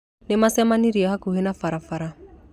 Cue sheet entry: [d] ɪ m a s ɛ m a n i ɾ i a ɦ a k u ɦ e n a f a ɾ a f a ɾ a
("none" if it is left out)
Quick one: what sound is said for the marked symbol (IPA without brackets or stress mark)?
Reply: n